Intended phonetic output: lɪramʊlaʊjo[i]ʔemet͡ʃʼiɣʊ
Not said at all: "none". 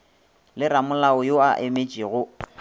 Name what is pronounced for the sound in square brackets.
a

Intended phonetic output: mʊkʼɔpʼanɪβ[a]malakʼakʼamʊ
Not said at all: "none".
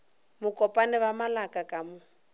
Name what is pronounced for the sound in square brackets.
a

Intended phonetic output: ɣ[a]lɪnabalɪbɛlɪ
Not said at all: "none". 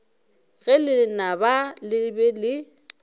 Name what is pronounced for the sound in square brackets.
ɛ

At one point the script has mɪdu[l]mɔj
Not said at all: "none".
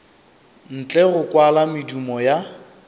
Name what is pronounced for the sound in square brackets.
none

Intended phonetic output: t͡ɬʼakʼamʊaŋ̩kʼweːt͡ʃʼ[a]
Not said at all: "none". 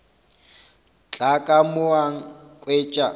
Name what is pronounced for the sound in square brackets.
a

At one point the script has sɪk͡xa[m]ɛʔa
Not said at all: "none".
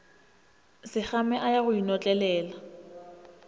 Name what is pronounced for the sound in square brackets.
m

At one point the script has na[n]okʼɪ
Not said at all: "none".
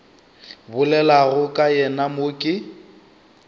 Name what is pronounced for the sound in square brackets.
m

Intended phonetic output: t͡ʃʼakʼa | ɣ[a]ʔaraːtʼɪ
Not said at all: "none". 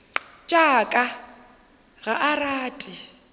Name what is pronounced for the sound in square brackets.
a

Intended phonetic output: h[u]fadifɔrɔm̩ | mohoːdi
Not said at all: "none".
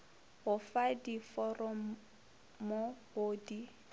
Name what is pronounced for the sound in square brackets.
ʊ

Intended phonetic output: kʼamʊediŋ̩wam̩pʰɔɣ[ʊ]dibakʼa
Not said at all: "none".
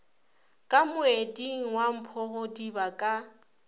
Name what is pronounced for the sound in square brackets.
ʊ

